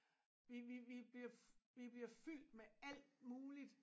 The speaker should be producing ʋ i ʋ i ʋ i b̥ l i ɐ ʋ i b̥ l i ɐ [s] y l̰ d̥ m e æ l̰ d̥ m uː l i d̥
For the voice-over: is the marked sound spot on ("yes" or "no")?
no